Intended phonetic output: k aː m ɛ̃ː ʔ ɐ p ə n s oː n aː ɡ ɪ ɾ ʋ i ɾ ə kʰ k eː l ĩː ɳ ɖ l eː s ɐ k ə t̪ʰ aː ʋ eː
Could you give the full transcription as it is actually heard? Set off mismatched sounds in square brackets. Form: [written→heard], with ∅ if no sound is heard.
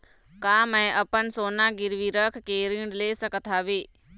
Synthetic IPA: k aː m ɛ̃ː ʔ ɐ p ə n s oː n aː ɡ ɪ ɾ ʋ i ɾ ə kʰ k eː [l→ɾ] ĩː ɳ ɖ l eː s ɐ k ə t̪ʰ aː ʋ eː